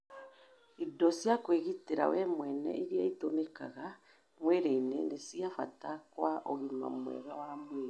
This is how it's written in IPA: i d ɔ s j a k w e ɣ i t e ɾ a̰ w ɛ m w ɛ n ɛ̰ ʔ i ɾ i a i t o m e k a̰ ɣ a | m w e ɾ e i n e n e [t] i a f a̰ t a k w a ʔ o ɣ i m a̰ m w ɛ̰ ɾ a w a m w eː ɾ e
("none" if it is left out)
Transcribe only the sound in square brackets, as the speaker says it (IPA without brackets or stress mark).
s